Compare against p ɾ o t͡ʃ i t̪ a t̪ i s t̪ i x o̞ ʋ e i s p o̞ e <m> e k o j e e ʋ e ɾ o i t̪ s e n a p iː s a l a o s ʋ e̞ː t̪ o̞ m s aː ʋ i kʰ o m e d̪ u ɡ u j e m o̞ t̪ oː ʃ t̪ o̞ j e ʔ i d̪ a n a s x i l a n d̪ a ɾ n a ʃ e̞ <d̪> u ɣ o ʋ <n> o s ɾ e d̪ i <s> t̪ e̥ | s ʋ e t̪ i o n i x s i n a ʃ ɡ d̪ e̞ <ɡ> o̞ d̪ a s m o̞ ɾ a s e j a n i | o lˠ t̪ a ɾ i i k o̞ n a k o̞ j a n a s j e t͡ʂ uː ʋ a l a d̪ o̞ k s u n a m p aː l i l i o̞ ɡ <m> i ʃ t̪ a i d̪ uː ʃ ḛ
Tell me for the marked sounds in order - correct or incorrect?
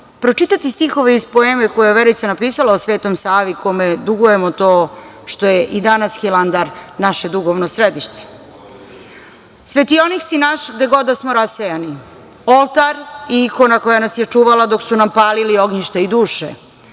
correct, correct, correct, incorrect: ʃ, correct, incorrect: ɲ

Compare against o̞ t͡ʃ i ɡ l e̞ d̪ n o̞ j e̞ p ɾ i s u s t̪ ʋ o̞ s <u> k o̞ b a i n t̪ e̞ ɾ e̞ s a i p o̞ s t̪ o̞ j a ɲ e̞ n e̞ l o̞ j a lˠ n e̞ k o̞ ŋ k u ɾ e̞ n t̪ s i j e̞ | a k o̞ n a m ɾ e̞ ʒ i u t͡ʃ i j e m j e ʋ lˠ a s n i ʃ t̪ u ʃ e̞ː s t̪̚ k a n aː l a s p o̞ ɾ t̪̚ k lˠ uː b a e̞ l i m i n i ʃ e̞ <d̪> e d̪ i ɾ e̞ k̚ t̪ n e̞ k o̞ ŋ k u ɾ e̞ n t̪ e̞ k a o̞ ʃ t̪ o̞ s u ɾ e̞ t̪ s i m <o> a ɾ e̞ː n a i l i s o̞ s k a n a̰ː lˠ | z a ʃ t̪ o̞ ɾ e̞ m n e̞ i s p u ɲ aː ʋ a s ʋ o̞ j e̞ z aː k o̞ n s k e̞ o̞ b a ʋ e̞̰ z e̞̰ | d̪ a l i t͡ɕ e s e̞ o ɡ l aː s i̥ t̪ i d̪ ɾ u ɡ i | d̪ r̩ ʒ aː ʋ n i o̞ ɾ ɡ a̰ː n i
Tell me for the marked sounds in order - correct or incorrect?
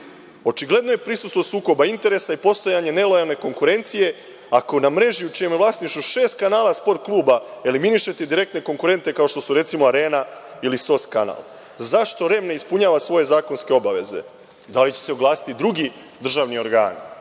incorrect: uː, incorrect: t̪, correct

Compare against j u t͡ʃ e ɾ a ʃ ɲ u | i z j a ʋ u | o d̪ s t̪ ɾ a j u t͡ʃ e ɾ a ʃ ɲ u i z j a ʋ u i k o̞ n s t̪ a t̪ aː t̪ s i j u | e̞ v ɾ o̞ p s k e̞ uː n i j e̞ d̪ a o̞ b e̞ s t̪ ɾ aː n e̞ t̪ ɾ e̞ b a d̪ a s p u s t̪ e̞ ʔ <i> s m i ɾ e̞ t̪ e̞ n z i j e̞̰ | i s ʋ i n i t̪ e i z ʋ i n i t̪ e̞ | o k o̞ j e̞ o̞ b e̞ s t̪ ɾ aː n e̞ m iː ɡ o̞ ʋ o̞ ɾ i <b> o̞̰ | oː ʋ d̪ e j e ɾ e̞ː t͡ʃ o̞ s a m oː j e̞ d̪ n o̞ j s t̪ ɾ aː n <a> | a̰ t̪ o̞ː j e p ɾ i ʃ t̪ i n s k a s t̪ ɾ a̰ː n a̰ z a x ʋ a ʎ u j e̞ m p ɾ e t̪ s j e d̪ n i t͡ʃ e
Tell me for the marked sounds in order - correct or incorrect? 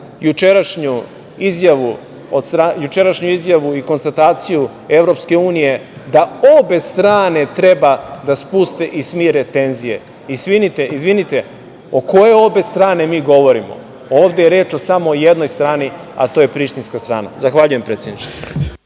correct, incorrect: m, incorrect: i

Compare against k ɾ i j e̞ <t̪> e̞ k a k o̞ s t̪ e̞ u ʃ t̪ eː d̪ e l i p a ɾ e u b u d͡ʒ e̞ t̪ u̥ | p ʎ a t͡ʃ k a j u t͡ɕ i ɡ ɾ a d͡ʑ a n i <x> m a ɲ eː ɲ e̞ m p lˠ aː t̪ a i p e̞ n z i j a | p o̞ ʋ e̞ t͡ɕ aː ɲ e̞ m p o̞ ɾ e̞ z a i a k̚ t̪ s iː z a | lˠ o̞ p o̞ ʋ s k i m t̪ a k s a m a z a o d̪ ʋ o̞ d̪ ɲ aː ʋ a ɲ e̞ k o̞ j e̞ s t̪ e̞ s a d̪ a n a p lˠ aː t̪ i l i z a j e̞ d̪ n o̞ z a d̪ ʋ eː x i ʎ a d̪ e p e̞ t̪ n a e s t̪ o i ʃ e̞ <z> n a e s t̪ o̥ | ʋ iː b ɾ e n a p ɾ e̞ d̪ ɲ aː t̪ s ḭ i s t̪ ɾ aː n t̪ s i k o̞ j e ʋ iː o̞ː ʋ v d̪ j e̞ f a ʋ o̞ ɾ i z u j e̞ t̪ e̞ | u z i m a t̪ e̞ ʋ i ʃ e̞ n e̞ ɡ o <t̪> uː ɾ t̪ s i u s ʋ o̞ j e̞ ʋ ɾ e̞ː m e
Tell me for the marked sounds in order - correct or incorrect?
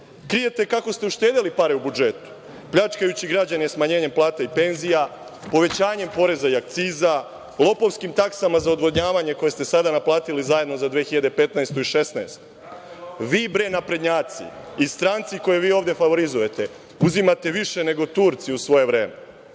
correct, incorrect: s, incorrect: s, correct

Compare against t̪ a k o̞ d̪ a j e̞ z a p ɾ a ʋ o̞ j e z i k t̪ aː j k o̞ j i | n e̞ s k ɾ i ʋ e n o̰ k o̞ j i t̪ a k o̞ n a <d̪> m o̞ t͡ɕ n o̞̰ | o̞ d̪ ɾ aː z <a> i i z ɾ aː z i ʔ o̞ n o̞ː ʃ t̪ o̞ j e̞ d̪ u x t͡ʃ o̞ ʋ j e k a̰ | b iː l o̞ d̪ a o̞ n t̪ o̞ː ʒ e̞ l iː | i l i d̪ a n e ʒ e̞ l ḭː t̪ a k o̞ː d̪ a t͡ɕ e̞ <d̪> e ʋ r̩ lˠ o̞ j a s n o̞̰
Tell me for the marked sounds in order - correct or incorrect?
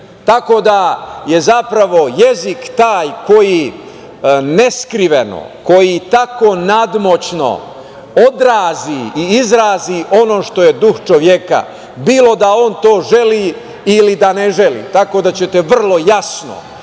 correct, incorrect: i, incorrect: t̪

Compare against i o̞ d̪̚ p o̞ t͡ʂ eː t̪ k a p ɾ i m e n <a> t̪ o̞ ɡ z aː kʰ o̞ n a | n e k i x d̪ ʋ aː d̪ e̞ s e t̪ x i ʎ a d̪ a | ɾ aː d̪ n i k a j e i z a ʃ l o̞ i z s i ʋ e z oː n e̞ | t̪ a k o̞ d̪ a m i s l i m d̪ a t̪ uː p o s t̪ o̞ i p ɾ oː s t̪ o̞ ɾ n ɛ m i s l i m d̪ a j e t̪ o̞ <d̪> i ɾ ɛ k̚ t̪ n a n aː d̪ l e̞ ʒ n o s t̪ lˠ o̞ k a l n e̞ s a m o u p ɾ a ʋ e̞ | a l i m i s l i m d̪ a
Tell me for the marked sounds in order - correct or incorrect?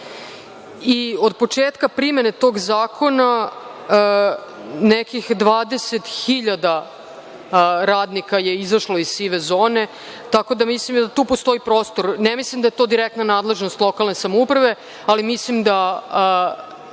incorrect: e, correct

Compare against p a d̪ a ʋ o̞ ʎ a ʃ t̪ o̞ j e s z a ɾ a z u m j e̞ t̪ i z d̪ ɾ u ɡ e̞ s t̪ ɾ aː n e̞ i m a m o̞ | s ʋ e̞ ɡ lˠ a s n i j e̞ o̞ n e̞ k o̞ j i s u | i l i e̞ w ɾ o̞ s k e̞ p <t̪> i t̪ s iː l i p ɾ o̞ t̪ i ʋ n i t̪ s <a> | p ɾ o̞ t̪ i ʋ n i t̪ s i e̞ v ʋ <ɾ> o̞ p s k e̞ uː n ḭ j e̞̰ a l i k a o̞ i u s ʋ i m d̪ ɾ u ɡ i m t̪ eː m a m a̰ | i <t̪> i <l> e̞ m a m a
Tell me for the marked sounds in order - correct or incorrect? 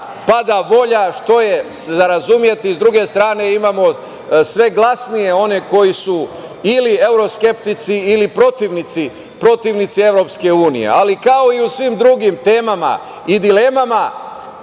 correct, incorrect: i, correct, incorrect: d̪, correct

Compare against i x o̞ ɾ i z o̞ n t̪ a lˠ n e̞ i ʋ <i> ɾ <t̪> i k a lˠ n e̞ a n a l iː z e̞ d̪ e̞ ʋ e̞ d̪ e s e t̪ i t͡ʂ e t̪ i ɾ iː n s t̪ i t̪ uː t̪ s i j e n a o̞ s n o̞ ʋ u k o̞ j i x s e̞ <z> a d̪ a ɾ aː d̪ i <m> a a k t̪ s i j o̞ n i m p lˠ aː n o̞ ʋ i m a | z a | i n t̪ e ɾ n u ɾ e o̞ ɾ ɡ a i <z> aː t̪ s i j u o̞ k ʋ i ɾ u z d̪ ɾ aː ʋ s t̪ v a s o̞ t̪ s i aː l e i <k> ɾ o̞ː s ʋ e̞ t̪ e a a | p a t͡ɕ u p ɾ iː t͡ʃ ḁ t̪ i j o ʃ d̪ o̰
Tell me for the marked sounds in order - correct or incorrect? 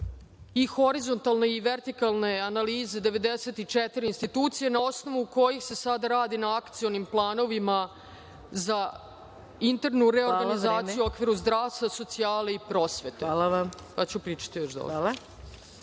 incorrect: e, correct, incorrect: s, incorrect: n, correct, incorrect: p

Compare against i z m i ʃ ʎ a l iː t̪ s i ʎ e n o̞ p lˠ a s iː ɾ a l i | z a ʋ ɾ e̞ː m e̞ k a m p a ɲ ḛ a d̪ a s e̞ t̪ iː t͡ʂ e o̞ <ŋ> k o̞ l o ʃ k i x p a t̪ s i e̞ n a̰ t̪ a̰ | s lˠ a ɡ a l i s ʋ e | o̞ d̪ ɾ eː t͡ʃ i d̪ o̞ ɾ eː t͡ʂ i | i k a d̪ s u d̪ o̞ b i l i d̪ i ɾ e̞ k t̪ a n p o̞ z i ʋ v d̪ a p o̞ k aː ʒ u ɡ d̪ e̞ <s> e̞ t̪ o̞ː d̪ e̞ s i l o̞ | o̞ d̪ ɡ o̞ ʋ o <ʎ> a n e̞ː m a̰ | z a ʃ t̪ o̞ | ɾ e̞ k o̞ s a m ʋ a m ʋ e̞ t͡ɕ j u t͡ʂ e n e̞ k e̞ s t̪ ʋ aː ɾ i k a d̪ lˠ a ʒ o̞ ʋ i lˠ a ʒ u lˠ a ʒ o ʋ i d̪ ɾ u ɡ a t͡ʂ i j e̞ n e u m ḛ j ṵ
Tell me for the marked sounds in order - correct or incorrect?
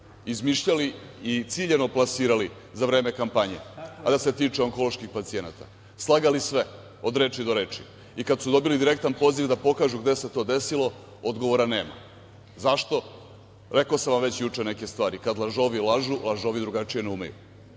correct, correct, incorrect: ɾ

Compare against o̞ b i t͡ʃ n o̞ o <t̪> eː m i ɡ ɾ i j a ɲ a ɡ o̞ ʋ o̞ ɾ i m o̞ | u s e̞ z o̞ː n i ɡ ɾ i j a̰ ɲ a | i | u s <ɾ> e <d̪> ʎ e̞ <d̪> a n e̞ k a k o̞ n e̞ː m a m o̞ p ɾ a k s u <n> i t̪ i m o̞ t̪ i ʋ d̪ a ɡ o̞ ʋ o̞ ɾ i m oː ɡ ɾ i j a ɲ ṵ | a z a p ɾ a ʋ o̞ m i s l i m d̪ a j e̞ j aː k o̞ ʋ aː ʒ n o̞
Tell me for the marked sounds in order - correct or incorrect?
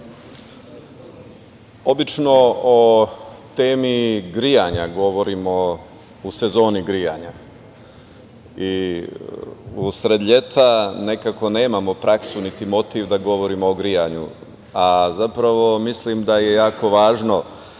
correct, correct, correct, incorrect: t̪, correct

